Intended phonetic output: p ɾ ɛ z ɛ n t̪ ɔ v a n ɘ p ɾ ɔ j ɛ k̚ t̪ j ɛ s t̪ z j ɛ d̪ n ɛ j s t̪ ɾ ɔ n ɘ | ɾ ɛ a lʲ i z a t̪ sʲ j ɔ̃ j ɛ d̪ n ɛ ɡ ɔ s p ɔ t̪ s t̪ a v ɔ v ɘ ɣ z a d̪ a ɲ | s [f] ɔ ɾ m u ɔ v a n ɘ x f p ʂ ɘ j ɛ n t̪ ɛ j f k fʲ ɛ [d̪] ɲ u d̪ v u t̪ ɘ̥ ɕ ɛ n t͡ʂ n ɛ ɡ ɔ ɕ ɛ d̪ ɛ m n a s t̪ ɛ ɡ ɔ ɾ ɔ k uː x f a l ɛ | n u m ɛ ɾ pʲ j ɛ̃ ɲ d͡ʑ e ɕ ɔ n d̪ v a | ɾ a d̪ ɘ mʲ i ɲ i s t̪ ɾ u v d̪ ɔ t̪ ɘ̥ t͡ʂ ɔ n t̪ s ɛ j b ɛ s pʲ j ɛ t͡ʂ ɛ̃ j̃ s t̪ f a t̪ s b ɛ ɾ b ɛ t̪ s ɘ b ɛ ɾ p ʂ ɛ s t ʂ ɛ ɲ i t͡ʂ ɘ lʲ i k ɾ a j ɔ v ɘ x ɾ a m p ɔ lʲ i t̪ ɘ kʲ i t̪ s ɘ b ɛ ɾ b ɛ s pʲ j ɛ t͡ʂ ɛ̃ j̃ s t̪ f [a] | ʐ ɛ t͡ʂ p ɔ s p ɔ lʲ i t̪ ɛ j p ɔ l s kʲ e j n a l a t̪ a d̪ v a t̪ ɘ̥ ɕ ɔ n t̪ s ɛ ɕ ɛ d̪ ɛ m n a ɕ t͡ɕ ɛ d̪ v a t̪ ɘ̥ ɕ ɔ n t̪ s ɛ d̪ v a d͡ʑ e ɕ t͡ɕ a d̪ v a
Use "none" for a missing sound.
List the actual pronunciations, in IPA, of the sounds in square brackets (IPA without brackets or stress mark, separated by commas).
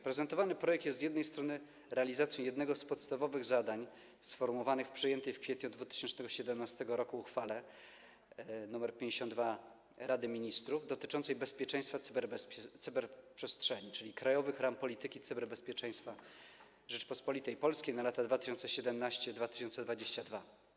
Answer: f, t̪, a